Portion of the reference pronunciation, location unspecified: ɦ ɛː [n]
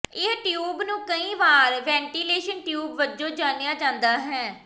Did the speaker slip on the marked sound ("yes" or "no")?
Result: yes